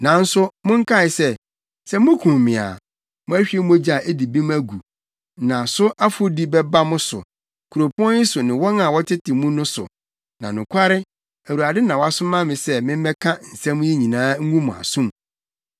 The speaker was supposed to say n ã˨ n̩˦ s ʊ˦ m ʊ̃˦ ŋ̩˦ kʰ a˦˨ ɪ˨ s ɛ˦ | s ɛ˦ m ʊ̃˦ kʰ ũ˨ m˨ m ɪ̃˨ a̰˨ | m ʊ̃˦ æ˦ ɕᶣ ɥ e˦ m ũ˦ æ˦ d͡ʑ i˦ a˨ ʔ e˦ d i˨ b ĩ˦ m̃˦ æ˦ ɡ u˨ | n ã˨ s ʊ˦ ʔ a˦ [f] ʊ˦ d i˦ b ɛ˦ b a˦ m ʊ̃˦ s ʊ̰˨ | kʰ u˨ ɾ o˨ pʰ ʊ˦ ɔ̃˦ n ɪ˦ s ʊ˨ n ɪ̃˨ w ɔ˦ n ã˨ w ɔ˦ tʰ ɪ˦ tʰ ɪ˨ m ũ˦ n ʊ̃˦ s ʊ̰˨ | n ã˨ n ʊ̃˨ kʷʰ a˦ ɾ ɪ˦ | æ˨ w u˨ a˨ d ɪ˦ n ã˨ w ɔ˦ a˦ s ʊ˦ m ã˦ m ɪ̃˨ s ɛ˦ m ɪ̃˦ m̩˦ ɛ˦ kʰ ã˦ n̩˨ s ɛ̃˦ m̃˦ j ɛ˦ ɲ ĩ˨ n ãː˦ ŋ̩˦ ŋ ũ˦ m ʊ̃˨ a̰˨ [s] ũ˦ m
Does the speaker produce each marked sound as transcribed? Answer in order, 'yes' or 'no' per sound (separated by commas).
yes, yes